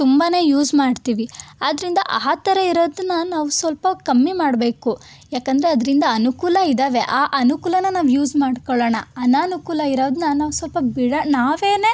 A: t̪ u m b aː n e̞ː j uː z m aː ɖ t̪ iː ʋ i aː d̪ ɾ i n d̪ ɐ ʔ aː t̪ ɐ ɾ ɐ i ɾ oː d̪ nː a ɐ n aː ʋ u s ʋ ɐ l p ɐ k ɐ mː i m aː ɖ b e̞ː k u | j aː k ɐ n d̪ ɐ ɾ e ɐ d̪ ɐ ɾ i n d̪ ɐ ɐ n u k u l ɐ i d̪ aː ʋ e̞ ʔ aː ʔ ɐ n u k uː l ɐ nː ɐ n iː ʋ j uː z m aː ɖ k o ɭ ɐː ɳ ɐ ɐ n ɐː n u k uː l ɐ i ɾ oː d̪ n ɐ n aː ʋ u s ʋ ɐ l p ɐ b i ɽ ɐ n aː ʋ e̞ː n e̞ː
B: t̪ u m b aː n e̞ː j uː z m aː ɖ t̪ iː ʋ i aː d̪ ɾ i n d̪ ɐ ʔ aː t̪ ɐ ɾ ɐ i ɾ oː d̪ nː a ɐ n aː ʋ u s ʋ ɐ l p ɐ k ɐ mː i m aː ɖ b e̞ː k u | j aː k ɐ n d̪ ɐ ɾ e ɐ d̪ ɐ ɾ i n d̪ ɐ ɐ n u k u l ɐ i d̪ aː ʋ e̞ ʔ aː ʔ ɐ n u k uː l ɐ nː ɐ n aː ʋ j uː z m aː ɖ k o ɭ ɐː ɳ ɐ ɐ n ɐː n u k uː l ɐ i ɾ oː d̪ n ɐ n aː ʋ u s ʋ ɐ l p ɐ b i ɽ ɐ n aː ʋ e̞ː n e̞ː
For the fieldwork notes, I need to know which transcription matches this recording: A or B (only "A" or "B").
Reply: B